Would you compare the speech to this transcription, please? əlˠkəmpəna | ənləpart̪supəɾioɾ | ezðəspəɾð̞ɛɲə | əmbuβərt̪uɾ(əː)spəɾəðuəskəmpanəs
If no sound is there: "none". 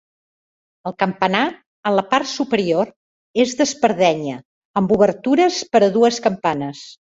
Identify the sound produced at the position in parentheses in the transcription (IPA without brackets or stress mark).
ə